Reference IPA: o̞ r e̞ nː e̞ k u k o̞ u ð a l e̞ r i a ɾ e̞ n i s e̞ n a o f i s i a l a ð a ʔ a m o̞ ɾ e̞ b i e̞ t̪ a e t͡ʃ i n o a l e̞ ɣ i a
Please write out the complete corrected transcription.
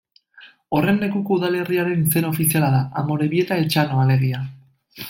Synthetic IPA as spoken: o̞ r e̞ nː e̞ k u k o̞ u ð a l e̞ r i a ɾ e̞ n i s e̞ n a o f i s i a l a ð a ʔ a m o̞ ɾ e̞ β i e̞ t̪ a e t͡ʃ a n o a l e̞ ɣ i a

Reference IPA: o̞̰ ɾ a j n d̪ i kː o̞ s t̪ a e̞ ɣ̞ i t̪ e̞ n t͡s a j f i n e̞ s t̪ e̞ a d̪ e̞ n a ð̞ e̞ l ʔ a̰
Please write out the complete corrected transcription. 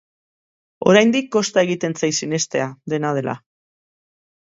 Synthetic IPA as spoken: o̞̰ ɾ a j n d̪ i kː o̞ s t̪ a e̞ ɣ̞ i t̪ e̞ n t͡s a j s i n e̞ s t̪ e̞ a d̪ e̞ n a ð̞ e̞ l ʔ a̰

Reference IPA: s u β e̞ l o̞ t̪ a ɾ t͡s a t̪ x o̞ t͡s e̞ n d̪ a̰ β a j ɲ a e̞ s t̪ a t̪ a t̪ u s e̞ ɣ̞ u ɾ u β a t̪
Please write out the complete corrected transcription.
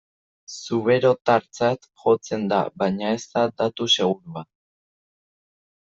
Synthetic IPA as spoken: s u β e̞ ɾ o̞ t̪ a ɾ t͡s a t̪ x o̞ t͡s e̞ n d̪ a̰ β a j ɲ a e̞ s t̪ a d̪ a t̪ u s e̞ ɣ̞ u ɾ u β a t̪

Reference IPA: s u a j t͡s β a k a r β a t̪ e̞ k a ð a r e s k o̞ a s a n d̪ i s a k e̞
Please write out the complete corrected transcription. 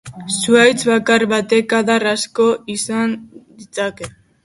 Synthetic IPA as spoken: s u a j t͡s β a k a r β a t̪ e̞ k a ð a r a s k o̞ i s a n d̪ i t͡s a k e̞

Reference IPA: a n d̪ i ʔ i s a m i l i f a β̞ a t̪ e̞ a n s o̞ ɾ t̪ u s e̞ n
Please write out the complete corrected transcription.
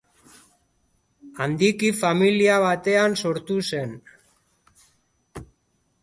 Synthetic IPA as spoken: a n d̪ i k i f a m i l i a β̞ a t̪ e̞ a n s o̞ ɾ t̪ u s e̞ n

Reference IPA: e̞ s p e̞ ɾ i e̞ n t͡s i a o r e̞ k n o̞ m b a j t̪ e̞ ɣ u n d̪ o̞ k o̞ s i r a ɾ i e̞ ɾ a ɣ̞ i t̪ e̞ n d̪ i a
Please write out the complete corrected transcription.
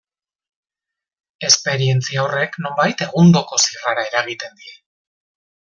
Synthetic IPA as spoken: e̞ s p e̞ ɾ i e̞ n t͡s i a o r e̞ k n o̞ m b a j t̪ e̞ ɣ u n d̪ o̞ k o̞ s i r a ɾ a e̞ ɾ a ɣ̞ i t̪ e̞ n d̪ i e

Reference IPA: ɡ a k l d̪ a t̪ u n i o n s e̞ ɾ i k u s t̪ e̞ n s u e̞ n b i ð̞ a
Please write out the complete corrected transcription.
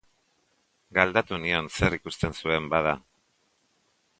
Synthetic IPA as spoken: ɡ a l d̪ a t̪ u n i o n s e̞ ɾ i k u s t̪ e̞ n s u e̞ m b a ð̞ a

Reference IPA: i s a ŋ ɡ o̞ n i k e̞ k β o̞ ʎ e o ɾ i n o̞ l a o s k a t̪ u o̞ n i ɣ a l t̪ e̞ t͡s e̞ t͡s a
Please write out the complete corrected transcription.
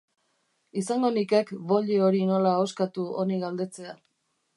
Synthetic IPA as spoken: i s a ŋ ɡ o̞ n i k e̞ k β o̞ ʎ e o ɾ i n o̞ l a o s k a t̪ u o̞ n i ɣ a l d̪ e̞ t͡s e̞ a

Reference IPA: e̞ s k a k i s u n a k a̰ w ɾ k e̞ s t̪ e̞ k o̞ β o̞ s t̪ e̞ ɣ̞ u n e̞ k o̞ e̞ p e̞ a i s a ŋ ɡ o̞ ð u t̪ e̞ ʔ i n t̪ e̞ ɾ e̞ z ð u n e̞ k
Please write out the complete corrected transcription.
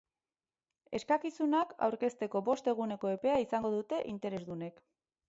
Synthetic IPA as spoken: e̞ s k a k i s u n a k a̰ w ɾ k e̞ s t̪ e̞ k o̞ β o̞ s t̪ e̞ ɣ̞ u n e̞ k o̞ e̞ p e̞ a i s a ŋ ɡ o̞ ð u t̪ e̞ ʔ i n t̪ e̞ ɾ e̞ z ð u n e̞ k

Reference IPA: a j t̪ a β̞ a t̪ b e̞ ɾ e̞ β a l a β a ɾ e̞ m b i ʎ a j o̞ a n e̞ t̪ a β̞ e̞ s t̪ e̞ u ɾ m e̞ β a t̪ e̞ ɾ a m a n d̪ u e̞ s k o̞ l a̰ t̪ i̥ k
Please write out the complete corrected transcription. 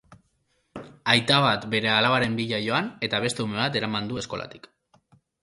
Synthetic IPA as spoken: a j t̪ a β̞ a t̪ b e̞ ɾ e̞ a l a β a ɾ e̞ m b i ʎ a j o̞ a n e̞ t̪ a β̞ e̞ s t̪ e̞ u m e̞ β a t̪ e̞ ɾ a m a n d̪ u e̞ s k o̞ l a̰ t̪ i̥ k

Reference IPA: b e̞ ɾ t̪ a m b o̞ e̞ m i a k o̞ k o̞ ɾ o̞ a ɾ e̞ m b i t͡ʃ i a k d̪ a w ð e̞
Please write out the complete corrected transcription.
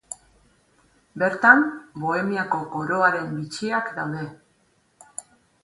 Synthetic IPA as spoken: b e̞ ɾ t̪ a m b o̞ e̞ m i a k o̞ k o̞ ɾ o̞ a ɾ e̞ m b i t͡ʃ i a k d̪ a w ð e̞

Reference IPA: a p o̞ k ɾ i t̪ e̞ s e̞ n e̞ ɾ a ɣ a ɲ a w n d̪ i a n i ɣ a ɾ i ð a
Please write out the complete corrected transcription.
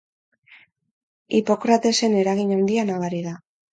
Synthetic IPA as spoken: i p o̞ k ɾ a t̪ e̞ s e̞ n e̞ ɾ a ɣ i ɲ a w n d̪ i a n a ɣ a ɾ i ð a

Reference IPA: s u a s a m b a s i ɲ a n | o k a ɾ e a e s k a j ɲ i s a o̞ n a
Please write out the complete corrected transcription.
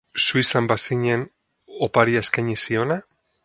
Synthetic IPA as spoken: s u i s a m b a s i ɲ e n | o p a ɾ i a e s k a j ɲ i s i o̞ n a

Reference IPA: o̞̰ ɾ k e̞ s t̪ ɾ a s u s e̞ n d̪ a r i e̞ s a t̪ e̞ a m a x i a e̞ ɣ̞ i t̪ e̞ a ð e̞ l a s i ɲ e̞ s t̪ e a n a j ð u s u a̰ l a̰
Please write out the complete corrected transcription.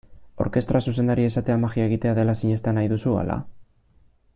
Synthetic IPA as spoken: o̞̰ ɾ k e̞ s t̪ ɾ a s u s e̞ n d̪ a ɾ i e̞ s a t̪ e̞ a m a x i a e̞ ɣ̞ i t̪ e̞ a ð e̞ l a s i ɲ e̞ s t̪ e a n a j ð u s u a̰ l a̰

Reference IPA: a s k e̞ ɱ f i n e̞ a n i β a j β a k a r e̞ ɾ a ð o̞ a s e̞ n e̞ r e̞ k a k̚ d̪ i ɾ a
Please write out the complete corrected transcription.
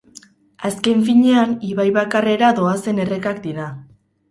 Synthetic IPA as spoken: a s k e̞ ɱ f i ɲ e̞ a n i β a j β a k a r e̞ ɾ a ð o̞ a s e̞ n e̞ r e̞ k a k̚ d̪ i ɾ a

